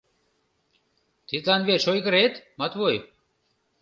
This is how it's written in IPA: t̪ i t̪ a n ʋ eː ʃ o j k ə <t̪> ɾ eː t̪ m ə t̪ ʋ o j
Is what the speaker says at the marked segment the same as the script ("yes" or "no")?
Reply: no